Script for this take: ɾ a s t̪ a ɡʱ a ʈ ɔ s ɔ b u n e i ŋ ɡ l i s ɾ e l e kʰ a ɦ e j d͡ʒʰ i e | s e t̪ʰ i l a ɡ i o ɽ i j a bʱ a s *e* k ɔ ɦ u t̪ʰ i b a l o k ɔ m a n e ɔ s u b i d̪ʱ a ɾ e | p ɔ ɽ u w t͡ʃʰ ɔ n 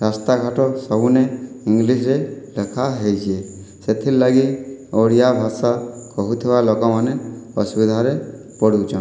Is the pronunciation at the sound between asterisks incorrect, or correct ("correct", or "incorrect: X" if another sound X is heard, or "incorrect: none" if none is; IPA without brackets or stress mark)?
incorrect: a